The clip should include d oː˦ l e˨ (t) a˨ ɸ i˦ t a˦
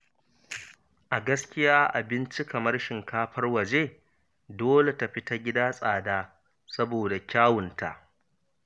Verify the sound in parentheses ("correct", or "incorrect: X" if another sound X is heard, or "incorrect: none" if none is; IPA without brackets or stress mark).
correct